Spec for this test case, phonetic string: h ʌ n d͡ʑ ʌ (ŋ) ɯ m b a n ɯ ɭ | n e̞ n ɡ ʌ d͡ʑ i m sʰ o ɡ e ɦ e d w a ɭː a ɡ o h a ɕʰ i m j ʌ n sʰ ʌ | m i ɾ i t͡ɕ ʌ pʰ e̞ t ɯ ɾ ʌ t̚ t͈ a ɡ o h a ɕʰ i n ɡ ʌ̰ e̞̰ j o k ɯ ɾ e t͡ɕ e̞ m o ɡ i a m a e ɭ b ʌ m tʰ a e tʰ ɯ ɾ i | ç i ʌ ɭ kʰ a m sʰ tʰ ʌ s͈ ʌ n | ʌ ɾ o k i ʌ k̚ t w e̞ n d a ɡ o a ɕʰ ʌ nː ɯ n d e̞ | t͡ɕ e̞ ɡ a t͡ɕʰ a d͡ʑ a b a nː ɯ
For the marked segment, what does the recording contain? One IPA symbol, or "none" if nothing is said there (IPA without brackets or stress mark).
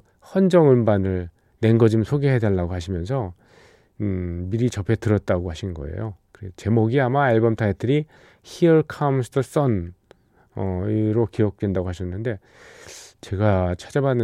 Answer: ŋ